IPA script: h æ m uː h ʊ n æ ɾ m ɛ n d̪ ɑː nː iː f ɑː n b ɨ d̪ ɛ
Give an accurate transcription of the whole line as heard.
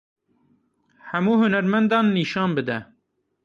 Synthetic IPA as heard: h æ m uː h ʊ n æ ɾ m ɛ n d̪ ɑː nː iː ʃ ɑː n b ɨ d̪ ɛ